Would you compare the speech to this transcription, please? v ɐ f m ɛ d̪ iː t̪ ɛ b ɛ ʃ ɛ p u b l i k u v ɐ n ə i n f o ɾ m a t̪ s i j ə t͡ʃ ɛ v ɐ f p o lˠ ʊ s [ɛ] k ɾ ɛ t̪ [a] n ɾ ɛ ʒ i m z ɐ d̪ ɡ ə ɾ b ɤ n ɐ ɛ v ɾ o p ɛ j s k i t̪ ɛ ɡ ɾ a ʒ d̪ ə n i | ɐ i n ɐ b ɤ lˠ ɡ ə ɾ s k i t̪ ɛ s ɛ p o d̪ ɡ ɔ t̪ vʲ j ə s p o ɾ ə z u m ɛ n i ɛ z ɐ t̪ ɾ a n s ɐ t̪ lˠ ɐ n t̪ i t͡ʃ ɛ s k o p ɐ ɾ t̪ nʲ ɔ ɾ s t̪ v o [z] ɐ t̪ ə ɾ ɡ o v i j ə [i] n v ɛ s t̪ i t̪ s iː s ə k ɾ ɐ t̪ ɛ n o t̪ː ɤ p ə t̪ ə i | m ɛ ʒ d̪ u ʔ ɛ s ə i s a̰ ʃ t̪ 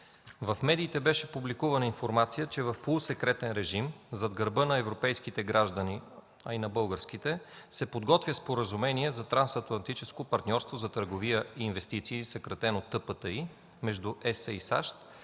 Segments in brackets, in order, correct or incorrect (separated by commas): correct, incorrect, correct, incorrect